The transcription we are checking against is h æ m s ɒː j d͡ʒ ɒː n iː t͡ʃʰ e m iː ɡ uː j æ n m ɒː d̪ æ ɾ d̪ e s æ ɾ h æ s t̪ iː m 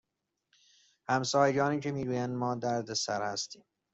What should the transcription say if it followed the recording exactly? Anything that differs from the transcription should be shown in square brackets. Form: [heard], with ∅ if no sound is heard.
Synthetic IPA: h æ m s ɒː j d͡ʒ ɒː n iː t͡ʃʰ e m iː ɡ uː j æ n m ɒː d̪ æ ɾ d̪ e s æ ɾ h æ s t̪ iː m